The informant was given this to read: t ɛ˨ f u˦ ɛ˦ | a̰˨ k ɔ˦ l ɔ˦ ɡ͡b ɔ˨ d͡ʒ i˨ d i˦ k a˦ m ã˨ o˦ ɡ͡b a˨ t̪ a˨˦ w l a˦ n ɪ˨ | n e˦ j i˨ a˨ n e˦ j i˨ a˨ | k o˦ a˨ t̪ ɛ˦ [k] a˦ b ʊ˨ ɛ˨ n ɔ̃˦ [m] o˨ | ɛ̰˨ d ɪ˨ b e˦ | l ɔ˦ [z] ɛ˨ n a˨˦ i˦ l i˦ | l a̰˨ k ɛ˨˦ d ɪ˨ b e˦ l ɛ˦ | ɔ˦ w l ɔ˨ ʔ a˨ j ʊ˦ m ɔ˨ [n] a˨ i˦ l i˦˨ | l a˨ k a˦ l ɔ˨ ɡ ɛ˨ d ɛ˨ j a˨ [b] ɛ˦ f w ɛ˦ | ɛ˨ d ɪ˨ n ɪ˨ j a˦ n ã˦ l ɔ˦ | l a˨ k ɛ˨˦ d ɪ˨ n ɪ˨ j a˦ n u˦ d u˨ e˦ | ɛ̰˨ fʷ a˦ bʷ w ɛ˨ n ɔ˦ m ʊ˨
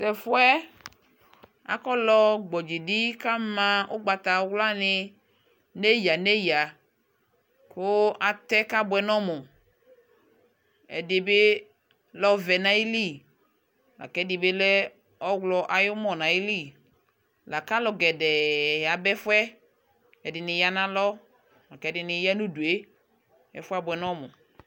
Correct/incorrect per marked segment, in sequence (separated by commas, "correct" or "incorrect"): correct, correct, incorrect, correct, correct